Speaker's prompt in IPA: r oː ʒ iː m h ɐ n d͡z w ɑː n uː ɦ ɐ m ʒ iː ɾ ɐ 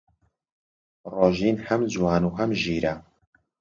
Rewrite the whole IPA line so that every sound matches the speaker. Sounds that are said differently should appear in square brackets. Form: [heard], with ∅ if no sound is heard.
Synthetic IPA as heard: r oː ʒ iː [n] h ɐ [m] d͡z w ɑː n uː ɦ ɐ m ʒ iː ɾ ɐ